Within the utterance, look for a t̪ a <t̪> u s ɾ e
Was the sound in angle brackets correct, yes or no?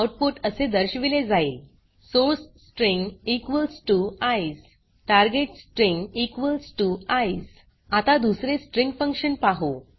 no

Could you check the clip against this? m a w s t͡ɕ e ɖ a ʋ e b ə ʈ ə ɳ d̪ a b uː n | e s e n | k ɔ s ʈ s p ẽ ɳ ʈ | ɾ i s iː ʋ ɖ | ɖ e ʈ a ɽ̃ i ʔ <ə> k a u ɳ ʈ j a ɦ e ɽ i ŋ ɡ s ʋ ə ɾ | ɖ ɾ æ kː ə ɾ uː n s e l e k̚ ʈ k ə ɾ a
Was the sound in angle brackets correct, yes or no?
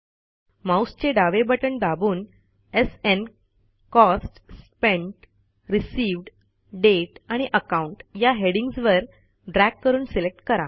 yes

